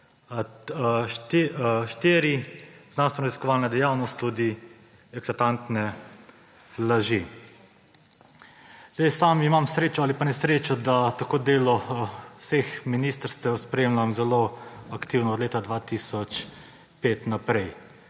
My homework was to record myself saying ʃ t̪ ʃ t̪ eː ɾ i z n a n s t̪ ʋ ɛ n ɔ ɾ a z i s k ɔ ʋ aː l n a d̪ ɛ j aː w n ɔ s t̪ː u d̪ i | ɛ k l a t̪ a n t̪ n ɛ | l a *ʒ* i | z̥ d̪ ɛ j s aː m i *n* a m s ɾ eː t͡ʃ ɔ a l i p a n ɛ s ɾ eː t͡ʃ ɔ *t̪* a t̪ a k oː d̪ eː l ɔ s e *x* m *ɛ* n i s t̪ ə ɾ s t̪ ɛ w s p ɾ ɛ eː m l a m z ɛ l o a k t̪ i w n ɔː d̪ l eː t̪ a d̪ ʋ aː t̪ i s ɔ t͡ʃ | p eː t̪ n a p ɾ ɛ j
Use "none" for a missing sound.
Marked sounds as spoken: ʒ, m, d̪, x, i

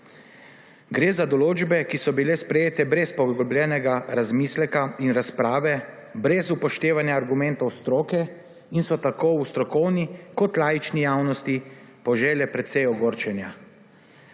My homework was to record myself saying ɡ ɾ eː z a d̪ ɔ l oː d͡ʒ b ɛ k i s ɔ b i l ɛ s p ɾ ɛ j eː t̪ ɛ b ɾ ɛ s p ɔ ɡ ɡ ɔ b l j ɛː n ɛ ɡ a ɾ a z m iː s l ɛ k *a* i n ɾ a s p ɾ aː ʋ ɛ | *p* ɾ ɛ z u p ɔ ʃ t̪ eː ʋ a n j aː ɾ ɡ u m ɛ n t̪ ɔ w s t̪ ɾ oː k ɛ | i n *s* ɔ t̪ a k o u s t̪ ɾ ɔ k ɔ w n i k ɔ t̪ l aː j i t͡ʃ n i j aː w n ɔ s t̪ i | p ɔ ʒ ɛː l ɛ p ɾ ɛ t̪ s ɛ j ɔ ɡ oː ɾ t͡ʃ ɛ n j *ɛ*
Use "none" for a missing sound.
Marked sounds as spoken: a, b, s, a

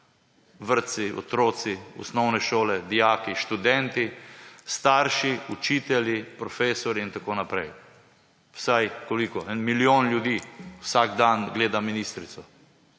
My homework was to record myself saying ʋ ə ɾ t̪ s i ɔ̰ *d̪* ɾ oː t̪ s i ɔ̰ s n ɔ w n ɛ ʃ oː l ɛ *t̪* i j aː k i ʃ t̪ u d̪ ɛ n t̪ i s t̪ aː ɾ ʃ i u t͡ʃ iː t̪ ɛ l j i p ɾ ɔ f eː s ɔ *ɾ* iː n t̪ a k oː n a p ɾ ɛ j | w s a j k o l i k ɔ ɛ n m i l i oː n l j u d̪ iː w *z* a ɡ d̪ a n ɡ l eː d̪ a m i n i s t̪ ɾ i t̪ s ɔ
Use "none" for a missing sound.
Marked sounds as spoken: t̪, d̪, ɾ, s

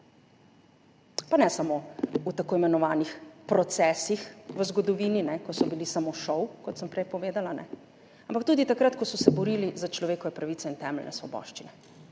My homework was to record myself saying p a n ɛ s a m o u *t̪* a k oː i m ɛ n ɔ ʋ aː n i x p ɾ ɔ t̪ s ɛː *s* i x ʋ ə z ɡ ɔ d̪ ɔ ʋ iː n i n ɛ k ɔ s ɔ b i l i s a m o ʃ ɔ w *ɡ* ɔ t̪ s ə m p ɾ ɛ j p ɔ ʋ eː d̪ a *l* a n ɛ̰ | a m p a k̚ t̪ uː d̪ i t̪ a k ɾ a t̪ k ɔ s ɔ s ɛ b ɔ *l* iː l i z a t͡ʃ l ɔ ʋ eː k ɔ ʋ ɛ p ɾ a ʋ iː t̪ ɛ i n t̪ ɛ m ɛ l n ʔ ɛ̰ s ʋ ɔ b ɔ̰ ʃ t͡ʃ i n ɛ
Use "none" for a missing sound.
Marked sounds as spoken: t̪, s, k, l, ɾ

